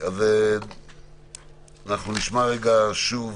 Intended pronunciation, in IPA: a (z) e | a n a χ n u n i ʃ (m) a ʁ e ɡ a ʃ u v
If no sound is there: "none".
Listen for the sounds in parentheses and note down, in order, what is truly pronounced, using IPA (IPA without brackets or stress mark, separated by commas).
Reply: v, m